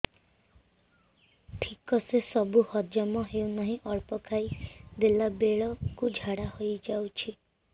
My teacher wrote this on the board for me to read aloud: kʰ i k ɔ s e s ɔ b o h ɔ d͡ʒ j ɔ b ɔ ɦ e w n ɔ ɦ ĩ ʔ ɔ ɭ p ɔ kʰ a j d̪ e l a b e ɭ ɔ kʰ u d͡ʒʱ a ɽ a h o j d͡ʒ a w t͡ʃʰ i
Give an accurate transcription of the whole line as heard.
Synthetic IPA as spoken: ʈʰ i k ɔ s e s ɔ b u h ɔ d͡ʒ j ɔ m ɔ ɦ e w n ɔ ɦ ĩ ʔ ɔ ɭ p ɔ kʰ a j d̪ e l a b e ɭ ɔ k u d͡ʒʱ a ɽ a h o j d͡ʒ a w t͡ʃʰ i